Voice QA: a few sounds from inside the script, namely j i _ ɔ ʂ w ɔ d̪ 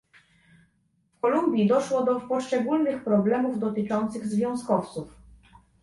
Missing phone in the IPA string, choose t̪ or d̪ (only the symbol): d̪